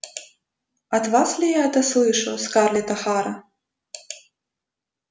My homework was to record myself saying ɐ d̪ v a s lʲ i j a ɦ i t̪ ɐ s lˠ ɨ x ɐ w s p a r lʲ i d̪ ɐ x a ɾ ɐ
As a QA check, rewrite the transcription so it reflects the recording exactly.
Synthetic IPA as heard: ɐ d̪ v a s lʲ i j a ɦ ɛ t̪ ɐ s lˠ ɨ ʂ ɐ w s k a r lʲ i t̪ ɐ x a ɾ ɐ